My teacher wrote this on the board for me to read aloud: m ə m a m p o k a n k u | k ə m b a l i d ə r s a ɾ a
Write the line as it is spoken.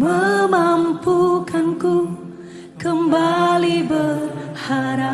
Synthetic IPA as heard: m ə m a m p u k a n k u | k ə m b a l i b ə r h a ɾ a